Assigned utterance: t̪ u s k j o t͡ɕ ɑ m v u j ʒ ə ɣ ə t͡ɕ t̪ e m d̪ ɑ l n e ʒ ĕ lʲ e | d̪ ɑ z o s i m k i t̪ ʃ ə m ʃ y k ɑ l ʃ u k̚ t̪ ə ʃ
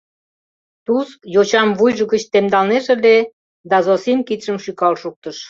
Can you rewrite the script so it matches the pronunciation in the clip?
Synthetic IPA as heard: t̪ u s k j o t͡ɕ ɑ m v u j ʒ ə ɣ ə t͡ɕ t̪ e m d̪ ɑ l n e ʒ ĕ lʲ e | d̪ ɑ z o s i m k i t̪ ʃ ə m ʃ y k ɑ l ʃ u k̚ t̪ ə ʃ

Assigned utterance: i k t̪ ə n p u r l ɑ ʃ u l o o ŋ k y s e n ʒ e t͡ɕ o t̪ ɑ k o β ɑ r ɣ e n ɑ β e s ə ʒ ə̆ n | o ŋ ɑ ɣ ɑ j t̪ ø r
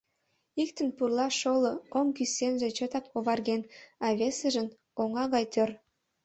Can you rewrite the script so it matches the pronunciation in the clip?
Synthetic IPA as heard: i k t̪ ə n p u r l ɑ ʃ o l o o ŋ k y s e n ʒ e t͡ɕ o t̪ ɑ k o β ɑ r ɣ e n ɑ β e s ə ʒ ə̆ n | o ŋ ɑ ɣ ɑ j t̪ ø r

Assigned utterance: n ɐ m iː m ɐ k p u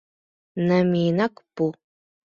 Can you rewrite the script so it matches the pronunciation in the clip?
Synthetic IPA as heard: n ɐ m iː n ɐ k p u

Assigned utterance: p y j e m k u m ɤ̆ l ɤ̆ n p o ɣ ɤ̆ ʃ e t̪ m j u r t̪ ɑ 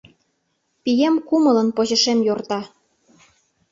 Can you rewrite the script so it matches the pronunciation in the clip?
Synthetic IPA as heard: p i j e m k u m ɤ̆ l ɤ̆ n p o ʑ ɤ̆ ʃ e m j o r t̪ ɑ

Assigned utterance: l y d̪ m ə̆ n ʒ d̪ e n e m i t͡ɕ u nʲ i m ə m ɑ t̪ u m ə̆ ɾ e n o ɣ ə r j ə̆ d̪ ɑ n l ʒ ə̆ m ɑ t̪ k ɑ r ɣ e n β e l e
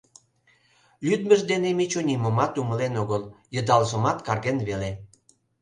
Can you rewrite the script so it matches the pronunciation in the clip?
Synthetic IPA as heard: l y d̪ m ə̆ ʒ d̪ e n e m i t͡ɕ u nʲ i m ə m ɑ t̪ u m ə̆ l e n o ɣ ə l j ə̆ d̪ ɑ l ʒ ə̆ m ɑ t̪ k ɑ r ɣ e n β e l e

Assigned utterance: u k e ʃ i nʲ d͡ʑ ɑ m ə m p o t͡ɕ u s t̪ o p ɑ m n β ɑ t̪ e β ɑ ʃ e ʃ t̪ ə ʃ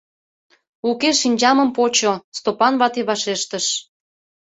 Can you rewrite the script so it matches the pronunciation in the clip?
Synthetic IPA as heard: u k e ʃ i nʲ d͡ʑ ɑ m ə m p o t͡ɕ o s t̪ o p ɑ n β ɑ t̪ e β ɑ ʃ e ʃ t̪ ə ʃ

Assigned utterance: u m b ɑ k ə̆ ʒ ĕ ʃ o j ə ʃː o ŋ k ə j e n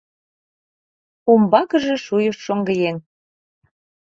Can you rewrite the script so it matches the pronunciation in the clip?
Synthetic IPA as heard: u m b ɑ k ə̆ ʒ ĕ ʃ u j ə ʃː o ŋ ɡ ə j e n

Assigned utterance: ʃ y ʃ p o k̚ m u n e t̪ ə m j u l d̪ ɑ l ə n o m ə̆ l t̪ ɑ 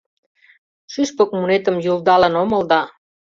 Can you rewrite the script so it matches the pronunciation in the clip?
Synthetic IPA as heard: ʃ y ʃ p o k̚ m u n e t̪ ə m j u l d̪ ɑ l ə n o m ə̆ l d̪ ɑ

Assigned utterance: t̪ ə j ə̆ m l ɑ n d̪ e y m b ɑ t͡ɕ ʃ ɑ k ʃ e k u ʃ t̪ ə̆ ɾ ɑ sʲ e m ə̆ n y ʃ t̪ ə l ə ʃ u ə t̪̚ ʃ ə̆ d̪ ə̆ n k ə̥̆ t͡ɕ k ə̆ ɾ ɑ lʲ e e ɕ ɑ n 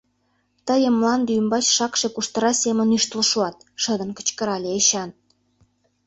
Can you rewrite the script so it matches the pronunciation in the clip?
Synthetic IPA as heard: t̪ ə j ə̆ m l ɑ n d̪ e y m b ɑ t͡ɕ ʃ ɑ k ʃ e k u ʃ t̪ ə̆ ɾ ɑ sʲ e m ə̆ n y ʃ t̪ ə l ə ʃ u ɑ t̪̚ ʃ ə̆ d̪ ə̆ n k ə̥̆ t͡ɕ k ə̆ ɾ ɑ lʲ e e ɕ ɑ n

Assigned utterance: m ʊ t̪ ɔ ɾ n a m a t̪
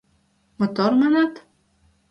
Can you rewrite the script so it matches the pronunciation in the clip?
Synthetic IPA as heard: m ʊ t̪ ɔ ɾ m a n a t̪

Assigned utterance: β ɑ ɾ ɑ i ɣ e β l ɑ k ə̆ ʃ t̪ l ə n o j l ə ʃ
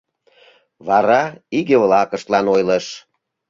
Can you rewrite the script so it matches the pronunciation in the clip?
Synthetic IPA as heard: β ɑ ɾ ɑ i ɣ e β l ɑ k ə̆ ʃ t̪ l ɑ n o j l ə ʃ

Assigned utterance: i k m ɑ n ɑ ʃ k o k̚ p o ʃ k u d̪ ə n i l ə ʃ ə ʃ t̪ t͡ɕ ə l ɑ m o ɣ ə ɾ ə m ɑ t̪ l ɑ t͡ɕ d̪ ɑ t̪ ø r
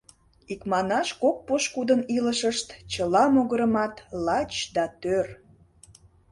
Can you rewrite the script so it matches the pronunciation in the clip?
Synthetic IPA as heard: i k m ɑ n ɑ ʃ k o k̚ p o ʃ k u d̪ ə n i l ə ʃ ə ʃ t̪ t͡ɕ ə l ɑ m o ɣ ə ɾ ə m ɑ t̪ l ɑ t͡ɕ d̪ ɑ t̪ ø r

